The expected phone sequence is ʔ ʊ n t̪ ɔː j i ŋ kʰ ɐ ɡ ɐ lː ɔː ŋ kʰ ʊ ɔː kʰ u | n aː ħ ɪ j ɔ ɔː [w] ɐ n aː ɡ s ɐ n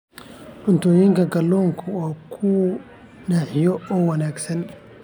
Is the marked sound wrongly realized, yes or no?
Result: no